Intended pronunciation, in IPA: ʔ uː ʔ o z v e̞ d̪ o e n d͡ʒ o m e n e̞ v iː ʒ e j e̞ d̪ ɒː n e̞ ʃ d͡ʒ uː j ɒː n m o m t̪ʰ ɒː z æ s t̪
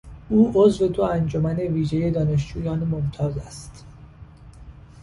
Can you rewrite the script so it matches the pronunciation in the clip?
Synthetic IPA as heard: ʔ uː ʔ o z v e̞ d̪ o æ n d͡ʒ o m æ n e̞ v iː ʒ e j e̞ d̪ ɒː n e̞ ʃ d͡ʒ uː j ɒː n m o m t̪ʰ ɒː z æ s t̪